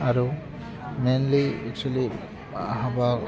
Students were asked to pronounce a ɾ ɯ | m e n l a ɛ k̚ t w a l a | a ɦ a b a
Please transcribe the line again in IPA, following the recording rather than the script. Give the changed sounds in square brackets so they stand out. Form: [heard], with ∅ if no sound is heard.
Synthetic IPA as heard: a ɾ [u] | m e n l [i] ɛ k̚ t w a l [i] | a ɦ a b a